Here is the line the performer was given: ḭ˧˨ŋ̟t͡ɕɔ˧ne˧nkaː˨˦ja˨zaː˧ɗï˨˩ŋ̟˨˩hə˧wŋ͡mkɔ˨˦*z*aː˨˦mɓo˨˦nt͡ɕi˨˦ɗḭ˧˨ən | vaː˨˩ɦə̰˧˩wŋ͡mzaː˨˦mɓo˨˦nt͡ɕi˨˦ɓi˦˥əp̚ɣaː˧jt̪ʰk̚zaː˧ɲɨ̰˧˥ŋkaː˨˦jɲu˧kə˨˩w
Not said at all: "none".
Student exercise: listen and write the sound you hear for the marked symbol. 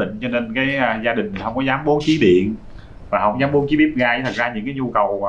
z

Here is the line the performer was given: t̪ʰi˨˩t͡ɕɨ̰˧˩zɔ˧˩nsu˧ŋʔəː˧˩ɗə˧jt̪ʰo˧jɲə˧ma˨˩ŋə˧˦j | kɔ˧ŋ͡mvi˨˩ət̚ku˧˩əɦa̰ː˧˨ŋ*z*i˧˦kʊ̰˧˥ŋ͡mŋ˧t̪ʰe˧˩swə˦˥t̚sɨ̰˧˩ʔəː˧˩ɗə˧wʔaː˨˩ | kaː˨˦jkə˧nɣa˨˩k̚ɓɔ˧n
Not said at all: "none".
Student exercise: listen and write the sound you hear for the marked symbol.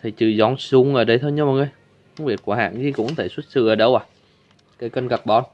z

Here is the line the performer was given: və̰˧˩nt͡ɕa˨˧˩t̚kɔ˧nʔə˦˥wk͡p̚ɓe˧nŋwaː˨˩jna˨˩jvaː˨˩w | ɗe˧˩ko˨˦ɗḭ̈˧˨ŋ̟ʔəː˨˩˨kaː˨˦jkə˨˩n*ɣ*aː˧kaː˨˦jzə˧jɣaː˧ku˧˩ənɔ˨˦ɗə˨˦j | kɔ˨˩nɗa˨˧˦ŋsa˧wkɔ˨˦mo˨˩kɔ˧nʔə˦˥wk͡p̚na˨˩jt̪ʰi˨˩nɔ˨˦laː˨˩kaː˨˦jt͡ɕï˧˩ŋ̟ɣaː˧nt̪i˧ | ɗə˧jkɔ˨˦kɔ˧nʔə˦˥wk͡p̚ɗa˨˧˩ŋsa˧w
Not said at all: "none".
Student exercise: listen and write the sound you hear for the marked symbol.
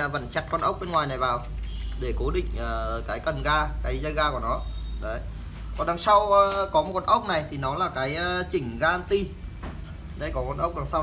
ɣ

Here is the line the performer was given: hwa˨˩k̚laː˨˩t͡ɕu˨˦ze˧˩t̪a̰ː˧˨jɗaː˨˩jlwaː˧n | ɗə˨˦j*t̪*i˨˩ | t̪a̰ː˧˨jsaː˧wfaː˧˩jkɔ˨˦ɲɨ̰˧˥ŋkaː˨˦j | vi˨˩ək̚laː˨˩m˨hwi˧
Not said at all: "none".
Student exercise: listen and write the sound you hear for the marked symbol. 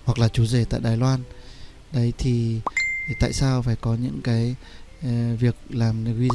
t̪ʰ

